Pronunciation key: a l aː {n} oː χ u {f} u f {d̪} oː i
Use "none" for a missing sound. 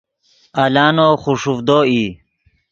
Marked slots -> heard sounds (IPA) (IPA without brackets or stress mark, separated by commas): n, ʂ, d̪